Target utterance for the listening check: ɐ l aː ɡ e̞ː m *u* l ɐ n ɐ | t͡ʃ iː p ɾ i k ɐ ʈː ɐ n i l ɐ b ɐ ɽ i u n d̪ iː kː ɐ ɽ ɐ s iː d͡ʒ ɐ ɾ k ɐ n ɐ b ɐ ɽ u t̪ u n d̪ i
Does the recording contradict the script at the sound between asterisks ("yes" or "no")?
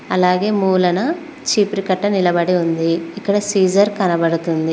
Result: yes